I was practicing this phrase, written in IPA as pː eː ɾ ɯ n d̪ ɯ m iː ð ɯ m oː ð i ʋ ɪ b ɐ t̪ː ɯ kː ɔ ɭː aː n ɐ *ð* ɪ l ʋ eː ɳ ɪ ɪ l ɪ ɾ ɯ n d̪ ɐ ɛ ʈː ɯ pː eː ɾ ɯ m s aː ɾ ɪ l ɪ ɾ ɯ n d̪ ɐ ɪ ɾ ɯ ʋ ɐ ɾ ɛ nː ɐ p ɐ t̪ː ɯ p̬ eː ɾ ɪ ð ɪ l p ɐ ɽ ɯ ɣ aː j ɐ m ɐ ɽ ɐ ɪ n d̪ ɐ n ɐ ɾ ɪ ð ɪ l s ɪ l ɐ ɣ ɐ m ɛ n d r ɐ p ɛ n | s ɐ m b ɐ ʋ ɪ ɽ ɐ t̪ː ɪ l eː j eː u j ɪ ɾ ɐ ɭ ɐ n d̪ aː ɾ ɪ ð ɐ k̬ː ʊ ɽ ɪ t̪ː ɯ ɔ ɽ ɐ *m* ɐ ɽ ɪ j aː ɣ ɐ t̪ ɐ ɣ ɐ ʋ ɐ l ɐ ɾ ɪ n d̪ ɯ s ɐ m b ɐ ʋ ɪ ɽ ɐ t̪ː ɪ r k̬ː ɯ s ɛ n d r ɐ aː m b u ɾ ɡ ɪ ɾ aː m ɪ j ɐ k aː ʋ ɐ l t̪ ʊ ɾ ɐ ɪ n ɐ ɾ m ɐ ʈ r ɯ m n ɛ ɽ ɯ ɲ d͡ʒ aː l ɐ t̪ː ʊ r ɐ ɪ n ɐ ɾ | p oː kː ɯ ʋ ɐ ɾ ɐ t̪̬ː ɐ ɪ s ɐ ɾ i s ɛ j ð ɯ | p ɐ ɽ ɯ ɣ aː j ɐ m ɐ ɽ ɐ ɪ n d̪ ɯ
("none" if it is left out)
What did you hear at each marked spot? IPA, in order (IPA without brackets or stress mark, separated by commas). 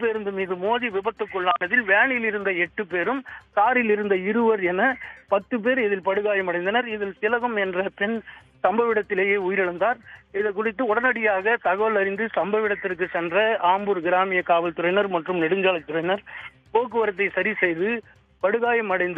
ð, n